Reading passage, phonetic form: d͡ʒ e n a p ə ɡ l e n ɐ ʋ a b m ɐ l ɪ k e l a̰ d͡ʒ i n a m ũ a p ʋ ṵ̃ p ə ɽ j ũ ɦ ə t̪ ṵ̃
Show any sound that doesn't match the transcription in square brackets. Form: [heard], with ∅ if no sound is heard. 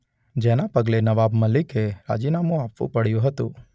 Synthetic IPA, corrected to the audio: d͡ʒ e n a p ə ɡ l e n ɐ ʋ a b m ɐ l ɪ k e [ɾ] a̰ d͡ʒ i n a m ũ a p ʋ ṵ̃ p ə ɽ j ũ ɦ ə t̪ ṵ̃